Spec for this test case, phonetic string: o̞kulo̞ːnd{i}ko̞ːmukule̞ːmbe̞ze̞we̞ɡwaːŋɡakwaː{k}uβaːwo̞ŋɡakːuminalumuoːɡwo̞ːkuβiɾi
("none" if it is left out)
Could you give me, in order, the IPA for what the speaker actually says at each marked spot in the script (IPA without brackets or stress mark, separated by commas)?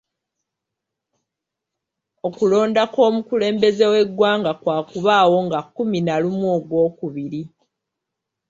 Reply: a, k